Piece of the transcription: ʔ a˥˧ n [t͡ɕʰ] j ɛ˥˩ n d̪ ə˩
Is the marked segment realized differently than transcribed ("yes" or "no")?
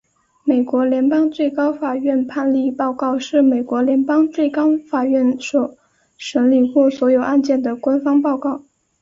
yes